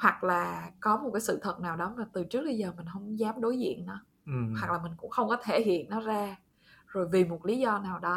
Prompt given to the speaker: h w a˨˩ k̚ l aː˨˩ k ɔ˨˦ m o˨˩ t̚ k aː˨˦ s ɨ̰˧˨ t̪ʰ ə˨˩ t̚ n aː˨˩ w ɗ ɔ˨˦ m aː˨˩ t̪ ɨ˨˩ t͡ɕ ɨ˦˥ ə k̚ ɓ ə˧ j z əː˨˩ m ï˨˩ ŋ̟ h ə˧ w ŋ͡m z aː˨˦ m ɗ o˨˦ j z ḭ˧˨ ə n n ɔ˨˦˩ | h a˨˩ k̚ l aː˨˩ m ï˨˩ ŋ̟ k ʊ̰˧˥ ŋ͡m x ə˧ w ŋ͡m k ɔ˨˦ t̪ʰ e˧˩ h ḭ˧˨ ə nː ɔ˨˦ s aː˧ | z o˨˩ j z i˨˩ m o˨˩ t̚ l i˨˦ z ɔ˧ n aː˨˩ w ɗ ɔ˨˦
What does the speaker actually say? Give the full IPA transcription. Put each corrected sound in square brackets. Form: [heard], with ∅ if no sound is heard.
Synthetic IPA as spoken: h w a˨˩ k̚ l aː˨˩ k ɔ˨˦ m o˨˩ t̚ k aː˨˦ s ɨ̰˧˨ t̪ʰ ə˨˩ t̚ n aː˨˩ w ɗ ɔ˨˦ m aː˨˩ t̪ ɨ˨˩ t͡ɕ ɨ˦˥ ə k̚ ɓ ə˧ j z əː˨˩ m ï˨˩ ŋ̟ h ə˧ w ŋ͡m z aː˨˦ m ɗ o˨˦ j z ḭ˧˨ ə n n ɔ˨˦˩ | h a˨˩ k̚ l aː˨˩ m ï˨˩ ŋ̟ k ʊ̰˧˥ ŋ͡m x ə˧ w ŋ͡m k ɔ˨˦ t̪ʰ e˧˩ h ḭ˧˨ ə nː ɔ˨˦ [z] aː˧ | z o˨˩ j [v] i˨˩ m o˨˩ t̚ l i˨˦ z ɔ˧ n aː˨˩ w ɗ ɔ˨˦